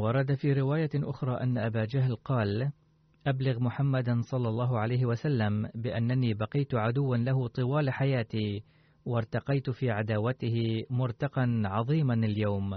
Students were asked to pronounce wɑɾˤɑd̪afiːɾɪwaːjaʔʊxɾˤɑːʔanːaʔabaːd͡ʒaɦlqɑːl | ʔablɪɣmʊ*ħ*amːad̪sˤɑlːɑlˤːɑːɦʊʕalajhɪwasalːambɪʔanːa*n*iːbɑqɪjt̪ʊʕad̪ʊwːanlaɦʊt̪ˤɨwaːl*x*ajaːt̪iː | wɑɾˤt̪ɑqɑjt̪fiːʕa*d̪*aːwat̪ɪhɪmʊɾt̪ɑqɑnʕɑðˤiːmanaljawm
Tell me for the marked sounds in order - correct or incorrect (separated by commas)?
correct, correct, incorrect, correct